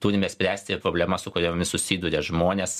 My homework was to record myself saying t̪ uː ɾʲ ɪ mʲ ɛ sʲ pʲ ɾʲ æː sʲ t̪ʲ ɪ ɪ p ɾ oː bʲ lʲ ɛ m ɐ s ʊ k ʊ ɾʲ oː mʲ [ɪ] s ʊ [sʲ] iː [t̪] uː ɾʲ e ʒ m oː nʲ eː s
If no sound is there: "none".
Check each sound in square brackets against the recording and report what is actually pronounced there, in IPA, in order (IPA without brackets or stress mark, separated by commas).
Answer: ɪ, sʲ, d̪